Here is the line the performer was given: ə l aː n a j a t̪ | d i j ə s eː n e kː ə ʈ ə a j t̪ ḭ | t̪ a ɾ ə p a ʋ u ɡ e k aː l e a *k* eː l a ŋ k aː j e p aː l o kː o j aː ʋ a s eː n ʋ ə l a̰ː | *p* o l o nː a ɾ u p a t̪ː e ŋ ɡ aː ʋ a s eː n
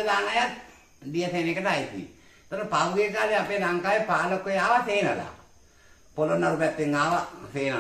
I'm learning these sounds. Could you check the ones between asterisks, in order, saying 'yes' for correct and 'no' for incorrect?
no, yes

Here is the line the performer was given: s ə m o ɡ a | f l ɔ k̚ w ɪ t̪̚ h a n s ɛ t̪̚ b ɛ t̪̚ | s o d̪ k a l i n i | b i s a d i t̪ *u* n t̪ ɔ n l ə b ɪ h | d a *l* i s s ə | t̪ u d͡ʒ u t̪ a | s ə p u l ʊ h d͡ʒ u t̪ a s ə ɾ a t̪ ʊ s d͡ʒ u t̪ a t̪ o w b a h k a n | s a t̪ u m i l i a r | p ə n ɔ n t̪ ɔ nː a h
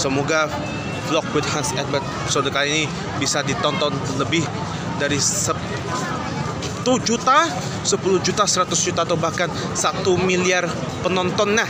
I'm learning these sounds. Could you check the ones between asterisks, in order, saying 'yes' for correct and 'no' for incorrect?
no, no

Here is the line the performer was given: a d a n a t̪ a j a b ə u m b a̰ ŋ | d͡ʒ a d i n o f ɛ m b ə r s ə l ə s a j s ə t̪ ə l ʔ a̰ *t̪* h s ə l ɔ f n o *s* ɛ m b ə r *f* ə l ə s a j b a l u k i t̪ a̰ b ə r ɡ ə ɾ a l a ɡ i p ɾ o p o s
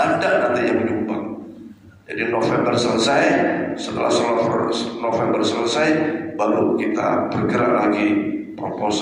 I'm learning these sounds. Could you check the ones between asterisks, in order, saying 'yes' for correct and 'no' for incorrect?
no, no, no

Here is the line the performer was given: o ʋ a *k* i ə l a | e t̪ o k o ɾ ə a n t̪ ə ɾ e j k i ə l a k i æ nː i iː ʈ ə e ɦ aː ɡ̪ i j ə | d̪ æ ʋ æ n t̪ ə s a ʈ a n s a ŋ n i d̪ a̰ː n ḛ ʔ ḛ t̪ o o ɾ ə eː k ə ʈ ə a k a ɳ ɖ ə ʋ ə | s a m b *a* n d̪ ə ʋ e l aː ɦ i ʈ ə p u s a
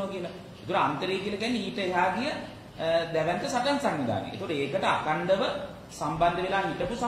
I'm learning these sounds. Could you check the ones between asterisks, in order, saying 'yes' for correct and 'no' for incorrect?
yes, yes

